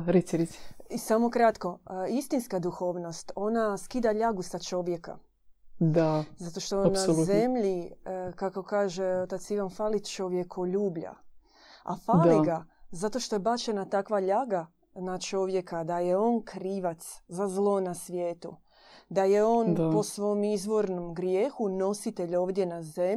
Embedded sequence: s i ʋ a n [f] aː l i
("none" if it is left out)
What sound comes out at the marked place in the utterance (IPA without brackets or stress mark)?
f